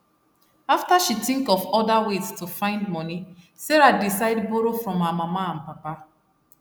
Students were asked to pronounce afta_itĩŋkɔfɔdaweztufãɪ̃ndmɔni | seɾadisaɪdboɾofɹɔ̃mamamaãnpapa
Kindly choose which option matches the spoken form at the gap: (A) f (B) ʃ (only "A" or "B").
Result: B